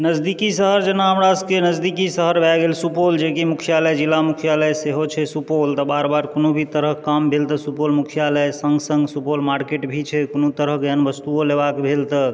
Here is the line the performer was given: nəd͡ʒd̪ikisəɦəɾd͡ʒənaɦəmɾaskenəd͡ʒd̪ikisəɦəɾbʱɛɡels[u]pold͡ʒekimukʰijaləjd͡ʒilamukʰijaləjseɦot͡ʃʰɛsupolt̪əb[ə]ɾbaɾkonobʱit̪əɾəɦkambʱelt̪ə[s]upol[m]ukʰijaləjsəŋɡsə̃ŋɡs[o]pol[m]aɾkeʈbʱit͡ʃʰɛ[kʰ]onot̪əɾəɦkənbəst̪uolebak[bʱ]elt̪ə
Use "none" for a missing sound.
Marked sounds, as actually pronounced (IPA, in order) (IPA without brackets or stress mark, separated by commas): u, a, s, m, u, m, k, bʱ